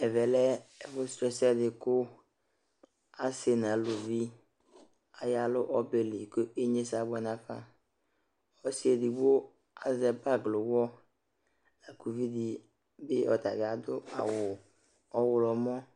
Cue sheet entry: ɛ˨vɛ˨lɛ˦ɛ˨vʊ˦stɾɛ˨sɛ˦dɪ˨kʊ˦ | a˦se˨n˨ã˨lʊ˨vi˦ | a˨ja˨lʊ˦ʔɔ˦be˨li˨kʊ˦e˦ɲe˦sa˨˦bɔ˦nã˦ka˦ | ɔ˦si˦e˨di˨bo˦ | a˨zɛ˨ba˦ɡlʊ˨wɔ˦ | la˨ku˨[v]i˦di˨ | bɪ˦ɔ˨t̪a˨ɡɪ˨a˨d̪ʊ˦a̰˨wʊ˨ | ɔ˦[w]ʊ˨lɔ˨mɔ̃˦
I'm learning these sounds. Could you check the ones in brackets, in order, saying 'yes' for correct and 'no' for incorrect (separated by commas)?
yes, yes